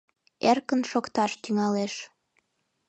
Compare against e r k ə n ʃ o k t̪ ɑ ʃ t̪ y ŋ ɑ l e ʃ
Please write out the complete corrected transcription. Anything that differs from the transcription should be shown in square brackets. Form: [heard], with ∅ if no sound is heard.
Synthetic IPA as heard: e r k ə n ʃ o k t̪ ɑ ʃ t̪ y ŋ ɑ l e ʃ